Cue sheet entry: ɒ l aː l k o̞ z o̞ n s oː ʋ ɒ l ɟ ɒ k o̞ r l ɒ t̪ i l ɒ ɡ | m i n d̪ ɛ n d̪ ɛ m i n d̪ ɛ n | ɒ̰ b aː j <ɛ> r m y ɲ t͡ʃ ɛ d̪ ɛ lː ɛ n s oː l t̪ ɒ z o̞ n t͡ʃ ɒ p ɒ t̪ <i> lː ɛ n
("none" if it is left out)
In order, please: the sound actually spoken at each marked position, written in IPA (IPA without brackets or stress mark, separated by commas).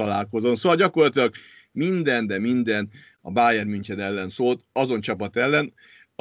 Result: ɛ, ɛ